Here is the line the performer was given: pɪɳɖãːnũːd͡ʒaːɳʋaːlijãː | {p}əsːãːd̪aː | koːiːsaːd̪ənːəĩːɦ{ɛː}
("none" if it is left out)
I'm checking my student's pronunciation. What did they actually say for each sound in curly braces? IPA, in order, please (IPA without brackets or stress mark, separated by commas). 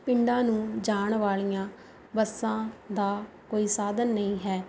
b, ɛː